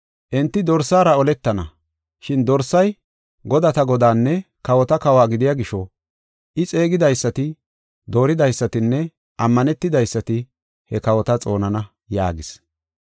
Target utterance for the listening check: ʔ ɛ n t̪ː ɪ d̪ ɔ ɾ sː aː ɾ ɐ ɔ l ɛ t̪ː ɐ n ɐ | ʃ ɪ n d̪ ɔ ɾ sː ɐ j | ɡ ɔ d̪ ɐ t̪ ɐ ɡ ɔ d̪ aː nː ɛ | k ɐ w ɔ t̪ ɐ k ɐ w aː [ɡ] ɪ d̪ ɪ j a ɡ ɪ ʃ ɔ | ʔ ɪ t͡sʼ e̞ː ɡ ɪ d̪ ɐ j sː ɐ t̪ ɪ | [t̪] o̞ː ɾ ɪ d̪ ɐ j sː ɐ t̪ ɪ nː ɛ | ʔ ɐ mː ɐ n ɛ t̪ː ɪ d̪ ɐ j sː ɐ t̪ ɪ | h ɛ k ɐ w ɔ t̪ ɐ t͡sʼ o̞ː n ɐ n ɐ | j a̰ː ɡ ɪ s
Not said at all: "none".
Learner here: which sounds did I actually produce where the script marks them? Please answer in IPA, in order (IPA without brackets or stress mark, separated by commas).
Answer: ɡ, d̪